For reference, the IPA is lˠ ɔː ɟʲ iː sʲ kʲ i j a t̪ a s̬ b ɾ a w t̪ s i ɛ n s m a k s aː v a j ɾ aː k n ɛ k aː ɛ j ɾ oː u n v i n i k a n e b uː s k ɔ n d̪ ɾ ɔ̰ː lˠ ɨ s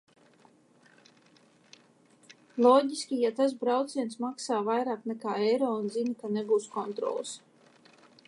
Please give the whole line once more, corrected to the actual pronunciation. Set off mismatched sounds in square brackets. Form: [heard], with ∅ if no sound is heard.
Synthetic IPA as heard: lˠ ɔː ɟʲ [i] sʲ kʲ i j a t̪ a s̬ b ɾ a w t̪ s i ɛ n s m a k s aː v a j ɾ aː k n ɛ k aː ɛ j ɾ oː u n [z] i n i k a n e [ɡ] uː s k ɔ n [t̪] ɾ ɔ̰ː lˠ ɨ s